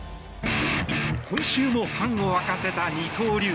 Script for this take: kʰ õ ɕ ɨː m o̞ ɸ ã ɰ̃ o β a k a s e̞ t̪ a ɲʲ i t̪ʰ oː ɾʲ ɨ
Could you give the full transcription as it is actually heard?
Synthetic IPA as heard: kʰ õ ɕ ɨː m o̞ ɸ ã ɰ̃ o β a k a s e̞ t̪ a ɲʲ i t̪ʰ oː ɾʲ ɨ